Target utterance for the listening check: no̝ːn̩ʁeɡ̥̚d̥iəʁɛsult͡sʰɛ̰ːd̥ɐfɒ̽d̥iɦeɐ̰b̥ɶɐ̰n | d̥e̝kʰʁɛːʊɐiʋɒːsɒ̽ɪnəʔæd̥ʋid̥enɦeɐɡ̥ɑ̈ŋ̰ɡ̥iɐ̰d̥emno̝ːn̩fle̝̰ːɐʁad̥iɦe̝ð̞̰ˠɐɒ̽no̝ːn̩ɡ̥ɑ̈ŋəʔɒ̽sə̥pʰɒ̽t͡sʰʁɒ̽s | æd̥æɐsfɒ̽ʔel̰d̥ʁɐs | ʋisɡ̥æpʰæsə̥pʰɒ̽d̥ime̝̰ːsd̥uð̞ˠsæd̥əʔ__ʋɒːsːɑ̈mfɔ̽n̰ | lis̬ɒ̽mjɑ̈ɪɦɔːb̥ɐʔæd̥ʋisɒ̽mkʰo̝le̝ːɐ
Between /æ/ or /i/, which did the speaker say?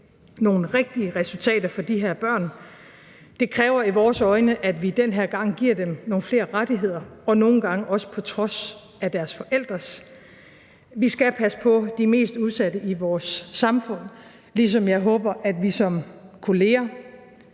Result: i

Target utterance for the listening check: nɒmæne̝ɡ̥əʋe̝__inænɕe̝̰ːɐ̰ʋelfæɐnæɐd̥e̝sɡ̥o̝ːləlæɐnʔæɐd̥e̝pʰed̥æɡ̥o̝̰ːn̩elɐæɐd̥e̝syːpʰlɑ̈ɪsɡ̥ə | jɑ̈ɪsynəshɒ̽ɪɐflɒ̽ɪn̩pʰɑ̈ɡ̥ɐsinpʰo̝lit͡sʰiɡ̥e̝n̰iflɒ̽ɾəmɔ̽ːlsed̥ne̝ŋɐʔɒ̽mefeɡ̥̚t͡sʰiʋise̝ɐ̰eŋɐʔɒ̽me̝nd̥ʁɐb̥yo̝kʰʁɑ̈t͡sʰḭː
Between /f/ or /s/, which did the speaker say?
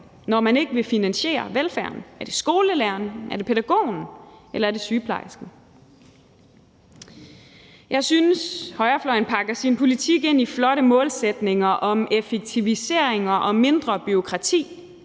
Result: f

